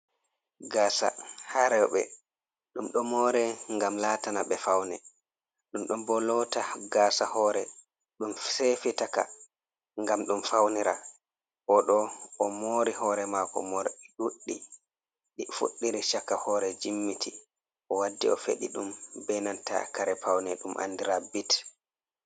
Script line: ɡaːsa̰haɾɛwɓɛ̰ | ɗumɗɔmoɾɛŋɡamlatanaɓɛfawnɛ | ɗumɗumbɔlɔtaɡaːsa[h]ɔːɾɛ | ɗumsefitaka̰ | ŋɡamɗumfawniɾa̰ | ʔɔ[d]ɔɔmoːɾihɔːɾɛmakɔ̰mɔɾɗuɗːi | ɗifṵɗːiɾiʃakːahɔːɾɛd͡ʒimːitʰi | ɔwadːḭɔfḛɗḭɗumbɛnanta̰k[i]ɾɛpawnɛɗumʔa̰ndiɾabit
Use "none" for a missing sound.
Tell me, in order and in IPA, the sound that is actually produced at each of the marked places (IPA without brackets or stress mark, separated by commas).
h, ɗ, a